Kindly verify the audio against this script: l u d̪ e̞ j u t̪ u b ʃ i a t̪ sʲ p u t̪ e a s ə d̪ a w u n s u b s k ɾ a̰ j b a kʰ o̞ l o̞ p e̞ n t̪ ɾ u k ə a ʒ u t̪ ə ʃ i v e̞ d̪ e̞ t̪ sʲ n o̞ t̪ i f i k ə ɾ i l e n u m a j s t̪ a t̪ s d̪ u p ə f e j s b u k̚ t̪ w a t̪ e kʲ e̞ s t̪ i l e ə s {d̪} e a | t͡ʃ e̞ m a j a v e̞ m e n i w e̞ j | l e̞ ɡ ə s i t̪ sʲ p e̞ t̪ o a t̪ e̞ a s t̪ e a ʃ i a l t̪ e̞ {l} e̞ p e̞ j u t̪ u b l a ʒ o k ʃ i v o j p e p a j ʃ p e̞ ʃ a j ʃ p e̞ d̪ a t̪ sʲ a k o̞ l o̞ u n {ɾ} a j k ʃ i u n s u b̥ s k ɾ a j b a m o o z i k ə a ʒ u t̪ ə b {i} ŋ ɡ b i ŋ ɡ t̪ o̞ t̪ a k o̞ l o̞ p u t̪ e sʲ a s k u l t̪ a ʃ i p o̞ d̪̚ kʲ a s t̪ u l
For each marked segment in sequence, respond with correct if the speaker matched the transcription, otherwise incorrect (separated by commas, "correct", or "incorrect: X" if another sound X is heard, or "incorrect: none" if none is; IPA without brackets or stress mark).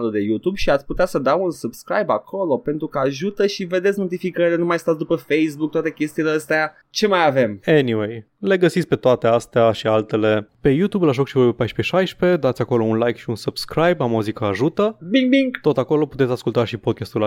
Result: incorrect: t̪, correct, incorrect: l, correct